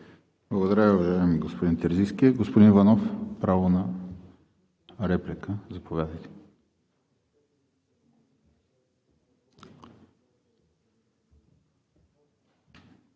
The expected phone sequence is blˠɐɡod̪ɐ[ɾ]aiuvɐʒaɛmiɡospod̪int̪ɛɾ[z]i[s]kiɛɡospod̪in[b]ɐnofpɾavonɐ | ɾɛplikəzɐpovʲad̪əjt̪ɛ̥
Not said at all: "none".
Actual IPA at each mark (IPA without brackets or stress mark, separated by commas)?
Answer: ɾ, z, s, v